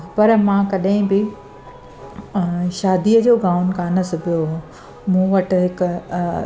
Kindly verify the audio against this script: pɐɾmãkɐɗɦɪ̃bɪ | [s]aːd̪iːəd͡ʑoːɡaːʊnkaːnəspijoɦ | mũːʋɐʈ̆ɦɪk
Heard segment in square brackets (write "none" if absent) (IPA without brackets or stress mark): ʃ